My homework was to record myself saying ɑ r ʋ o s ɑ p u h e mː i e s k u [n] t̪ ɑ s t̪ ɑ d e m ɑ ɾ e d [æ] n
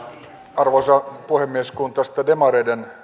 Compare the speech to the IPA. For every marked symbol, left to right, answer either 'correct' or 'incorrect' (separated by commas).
correct, incorrect